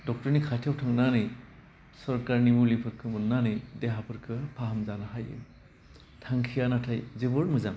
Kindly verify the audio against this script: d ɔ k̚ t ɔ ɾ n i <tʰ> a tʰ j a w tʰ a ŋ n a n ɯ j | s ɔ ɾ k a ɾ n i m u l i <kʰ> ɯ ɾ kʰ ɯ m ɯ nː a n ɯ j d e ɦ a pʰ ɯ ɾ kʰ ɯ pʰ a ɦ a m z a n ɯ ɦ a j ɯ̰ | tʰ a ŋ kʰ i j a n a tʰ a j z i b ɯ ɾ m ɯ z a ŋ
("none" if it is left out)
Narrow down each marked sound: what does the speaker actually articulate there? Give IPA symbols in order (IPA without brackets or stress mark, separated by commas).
kʰ, pʰ